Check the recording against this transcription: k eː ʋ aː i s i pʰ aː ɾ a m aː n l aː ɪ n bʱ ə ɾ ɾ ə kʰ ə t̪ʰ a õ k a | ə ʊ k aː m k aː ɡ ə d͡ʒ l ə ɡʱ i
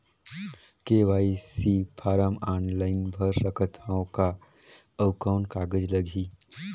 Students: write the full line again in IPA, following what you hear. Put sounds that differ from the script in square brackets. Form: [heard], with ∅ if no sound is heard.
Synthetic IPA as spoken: k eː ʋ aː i s i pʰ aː ɾ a m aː n l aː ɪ n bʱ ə ɾ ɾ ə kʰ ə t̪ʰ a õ k a | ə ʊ k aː [n] k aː ɡ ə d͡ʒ l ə ɡʱ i